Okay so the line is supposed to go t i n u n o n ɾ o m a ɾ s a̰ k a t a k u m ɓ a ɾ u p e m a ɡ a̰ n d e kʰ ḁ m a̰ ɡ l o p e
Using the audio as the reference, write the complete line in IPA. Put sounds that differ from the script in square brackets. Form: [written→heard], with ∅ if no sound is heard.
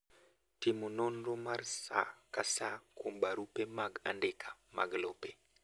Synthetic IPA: t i [n→m] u n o n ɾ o m a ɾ s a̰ k a [t→s] a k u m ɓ a ɾ u p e m a ɡ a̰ n d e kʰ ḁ m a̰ ɡ l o p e